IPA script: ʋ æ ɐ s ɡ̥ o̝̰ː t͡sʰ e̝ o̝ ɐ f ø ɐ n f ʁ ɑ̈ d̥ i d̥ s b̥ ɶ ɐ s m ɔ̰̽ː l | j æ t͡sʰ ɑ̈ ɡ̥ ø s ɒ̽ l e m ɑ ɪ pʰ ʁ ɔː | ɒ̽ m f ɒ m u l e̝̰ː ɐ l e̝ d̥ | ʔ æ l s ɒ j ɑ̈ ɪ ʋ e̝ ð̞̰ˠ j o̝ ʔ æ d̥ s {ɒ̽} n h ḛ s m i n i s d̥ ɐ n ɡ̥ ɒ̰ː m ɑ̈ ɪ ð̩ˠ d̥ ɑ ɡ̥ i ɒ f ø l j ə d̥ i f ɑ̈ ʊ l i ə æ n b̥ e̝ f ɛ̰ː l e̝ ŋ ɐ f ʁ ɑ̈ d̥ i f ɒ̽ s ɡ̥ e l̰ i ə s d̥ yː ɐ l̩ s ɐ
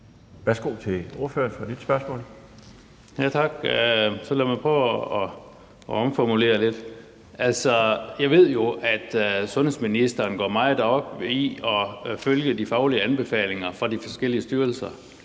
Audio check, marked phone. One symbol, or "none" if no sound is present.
ɔ̽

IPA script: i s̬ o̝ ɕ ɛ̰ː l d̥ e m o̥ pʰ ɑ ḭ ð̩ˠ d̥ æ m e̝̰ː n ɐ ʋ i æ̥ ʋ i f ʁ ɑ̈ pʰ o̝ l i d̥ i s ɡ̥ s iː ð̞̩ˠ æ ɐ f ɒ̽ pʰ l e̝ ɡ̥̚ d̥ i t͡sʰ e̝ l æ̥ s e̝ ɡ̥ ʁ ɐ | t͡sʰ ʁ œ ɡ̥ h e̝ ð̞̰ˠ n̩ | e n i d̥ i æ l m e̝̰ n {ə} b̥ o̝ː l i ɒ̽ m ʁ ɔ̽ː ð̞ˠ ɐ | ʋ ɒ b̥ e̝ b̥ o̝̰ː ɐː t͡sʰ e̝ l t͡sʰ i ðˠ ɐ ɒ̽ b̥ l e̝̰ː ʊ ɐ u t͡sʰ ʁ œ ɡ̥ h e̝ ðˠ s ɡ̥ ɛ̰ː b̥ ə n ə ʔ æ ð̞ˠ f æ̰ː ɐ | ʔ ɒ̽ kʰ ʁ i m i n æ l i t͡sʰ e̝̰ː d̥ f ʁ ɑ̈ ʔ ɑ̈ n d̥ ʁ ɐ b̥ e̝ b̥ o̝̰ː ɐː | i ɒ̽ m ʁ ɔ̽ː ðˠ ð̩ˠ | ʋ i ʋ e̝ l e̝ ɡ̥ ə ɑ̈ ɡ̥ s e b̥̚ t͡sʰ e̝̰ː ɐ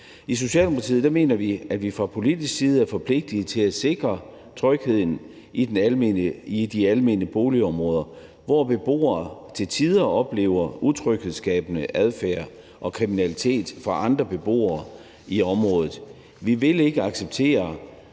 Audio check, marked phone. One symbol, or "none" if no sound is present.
ə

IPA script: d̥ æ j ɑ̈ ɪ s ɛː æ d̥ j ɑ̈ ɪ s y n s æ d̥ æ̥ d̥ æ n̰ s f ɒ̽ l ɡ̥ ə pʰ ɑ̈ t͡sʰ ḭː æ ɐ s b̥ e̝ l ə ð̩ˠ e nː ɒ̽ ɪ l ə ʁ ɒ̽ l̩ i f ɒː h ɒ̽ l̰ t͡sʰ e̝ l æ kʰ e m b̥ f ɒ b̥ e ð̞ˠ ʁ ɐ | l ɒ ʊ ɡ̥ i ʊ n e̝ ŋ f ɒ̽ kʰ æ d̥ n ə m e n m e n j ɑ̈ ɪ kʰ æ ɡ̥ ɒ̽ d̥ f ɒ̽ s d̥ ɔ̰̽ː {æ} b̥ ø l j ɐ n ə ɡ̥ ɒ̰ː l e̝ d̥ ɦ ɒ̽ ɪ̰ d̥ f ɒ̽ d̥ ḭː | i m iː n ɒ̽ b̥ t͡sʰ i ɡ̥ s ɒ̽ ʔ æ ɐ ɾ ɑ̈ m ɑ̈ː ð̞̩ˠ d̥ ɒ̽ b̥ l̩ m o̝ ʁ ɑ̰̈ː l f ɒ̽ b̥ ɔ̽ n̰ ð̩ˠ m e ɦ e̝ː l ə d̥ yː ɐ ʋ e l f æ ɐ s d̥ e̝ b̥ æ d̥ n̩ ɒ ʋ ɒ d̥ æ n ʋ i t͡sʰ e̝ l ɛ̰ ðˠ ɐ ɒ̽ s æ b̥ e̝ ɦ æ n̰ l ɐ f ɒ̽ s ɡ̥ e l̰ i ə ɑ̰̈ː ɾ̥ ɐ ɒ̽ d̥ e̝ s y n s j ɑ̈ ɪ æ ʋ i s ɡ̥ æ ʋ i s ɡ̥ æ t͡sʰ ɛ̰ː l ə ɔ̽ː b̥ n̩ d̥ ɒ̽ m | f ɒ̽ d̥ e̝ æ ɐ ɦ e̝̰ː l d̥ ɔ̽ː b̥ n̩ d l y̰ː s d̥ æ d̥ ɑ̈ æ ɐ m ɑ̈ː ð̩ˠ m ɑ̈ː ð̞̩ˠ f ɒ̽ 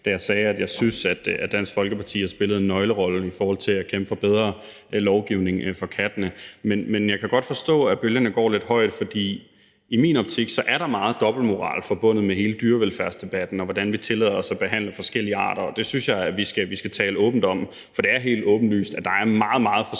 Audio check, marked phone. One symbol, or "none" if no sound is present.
æ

